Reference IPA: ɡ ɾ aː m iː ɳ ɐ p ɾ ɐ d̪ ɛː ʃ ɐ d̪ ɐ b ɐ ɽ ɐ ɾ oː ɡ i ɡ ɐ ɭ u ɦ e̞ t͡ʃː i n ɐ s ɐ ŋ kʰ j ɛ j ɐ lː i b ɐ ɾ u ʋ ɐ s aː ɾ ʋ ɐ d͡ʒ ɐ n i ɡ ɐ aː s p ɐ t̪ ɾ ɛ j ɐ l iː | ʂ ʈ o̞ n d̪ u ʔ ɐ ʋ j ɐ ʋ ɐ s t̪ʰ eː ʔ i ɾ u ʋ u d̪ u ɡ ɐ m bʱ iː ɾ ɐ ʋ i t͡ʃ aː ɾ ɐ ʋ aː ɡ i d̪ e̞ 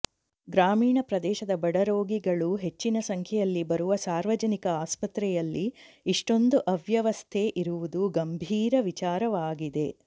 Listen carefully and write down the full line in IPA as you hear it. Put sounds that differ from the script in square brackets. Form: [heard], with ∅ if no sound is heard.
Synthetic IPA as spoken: ɡ ɾ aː m iː ɳ ɐ p ɾ ɐ d̪ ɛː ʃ ɐ d̪ ɐ b ɐ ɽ ɐ ɾ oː ɡ i ɡ ɐ ɭ u ɦ e̞ t͡ʃː i n ɐ s ɐ ŋ kʰ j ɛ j ɐ lː i b ɐ ɾ u ʋ ɐ s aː ɾ ʋ ɐ d͡ʒ ɐ n i [k] ɐ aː s p ɐ t̪ ɾ ɛ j ɐ [lː] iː | ʂ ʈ o̞ n d̪ u ʔ ɐ ʋ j ɐ ʋ ɐ s t̪ʰ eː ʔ i ɾ u ʋ u d̪ u ɡ ɐ m bʱ iː ɾ ɐ ʋ i t͡ʃ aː ɾ ɐ ʋ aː ɡ i d̪ e̞

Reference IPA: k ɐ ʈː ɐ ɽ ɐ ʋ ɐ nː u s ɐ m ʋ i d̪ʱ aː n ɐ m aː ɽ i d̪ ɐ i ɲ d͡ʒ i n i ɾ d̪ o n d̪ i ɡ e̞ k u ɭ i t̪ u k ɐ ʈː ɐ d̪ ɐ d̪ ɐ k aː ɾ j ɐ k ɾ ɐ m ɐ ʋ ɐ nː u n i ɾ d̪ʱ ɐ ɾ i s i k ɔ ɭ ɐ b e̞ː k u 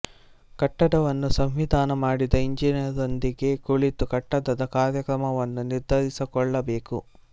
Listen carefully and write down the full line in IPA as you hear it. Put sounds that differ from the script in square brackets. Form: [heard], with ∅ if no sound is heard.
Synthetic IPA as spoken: k ɐ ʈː ɐ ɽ ɐ ʋ ɐ nː u s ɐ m ʋ i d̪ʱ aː n ɐ m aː ɽ i d̪ ɐ i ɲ d͡ʒ i n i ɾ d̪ o n d̪ i ɡ e̞ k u ɭ i t̪ u k ɐ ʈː ɐ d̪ ɐ d̪ ɐ k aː ɾ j ɐ k ɾ ɐ m ɐ ʋ ɐ nː u n i ɾ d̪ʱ ɐ ɾ i s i k ɔ [ɭː] ɐ b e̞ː k u

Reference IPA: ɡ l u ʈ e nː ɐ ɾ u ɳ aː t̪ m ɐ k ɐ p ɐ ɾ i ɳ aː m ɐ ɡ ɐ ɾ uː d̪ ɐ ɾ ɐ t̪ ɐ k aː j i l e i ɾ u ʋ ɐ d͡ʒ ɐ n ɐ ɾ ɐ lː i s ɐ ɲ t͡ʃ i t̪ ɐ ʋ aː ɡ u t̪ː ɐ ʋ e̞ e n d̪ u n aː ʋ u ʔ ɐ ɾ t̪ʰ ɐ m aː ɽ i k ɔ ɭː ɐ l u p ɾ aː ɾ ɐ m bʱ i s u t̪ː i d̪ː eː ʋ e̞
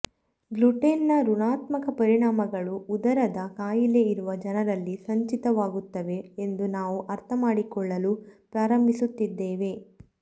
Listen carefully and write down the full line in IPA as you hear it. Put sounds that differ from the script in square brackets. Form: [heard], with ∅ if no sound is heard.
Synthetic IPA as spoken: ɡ l u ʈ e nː ɐ ɾ u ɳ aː t̪ m ɐ k ɐ p ɐ ɾ i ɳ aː m ɐ ɡ ɐ [ɭ] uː d̪ ɐ ɾ ɐ [d̪] ɐ k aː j i l e i ɾ u ʋ ɐ d͡ʒ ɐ n ɐ ɾ ɐ lː i s ɐ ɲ t͡ʃ i t̪ ɐ ʋ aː ɡ u t̪ː ɐ ʋ e̞ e n d̪ u n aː ʋ u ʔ ɐ ɾ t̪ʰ ɐ m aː ɽ i k ɔ ɭː ɐ l u p ɾ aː ɾ ɐ m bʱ i s u t̪ː i d̪ː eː ʋ e̞

